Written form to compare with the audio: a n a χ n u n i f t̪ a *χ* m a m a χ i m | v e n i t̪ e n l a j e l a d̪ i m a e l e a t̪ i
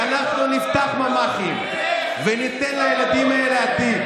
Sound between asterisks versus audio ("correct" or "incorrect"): correct